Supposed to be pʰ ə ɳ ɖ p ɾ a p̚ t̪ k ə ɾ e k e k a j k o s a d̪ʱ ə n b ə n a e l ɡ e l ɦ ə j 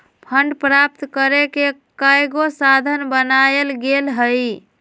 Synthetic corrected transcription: pʰ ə ɳ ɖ p ɾ a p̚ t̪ k ə ɾ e k e k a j ɡ o s a d̪ʱ ə n b ə n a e l ɡ e l ɦ ə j